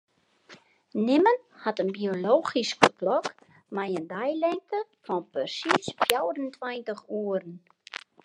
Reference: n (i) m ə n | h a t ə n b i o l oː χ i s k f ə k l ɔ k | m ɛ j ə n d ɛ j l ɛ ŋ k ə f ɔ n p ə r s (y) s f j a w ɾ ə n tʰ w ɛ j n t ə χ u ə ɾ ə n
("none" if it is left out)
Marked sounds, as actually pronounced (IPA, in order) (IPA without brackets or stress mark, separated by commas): ɪ, i